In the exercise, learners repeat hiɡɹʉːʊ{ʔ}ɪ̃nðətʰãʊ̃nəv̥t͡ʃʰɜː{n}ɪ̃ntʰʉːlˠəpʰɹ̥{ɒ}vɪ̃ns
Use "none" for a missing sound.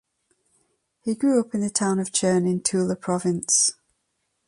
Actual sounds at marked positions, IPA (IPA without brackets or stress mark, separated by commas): p, n, ɒ